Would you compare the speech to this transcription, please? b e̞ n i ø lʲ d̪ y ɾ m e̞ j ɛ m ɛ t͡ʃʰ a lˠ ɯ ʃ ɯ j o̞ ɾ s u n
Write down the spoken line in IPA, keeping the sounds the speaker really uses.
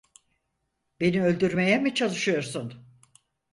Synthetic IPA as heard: b e̞ n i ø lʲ d̪ y ɾ m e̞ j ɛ m i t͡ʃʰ a lˠ ɯ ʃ ɯ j o̞ ɾ s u n